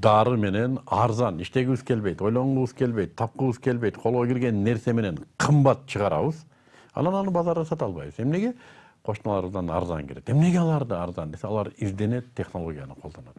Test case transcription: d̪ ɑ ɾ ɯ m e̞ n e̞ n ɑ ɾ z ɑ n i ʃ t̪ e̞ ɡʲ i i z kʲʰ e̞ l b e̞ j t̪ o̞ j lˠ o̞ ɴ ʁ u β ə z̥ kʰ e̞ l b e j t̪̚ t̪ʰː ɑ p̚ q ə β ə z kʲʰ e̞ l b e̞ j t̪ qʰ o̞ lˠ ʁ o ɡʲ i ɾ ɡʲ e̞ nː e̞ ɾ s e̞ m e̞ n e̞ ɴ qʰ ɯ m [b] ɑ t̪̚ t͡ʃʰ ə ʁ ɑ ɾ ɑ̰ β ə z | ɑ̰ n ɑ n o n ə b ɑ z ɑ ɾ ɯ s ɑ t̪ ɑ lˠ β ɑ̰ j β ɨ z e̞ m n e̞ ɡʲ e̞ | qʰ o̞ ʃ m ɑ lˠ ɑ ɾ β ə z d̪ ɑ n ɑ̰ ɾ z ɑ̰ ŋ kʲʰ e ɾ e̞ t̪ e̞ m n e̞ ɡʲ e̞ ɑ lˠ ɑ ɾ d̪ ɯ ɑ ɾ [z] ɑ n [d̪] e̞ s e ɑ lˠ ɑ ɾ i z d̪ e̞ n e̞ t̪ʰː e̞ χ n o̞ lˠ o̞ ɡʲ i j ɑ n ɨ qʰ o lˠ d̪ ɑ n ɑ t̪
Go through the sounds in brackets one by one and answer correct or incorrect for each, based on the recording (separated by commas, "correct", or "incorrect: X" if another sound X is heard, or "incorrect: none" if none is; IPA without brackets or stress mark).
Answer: correct, correct, correct